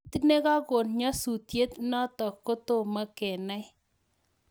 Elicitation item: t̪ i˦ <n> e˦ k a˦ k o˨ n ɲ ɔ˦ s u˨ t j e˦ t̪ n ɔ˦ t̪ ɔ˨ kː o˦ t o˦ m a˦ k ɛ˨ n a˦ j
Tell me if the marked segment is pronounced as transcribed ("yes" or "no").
yes